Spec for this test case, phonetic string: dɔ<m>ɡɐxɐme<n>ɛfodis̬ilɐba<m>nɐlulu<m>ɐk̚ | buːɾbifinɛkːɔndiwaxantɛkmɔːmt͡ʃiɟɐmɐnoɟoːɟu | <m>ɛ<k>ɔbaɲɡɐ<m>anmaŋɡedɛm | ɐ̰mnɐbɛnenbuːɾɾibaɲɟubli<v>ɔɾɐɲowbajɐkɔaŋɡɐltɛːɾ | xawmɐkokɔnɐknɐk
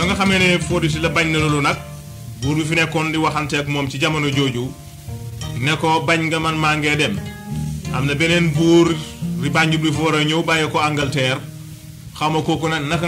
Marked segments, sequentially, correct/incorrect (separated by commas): incorrect, correct, incorrect, incorrect, incorrect, correct, correct, incorrect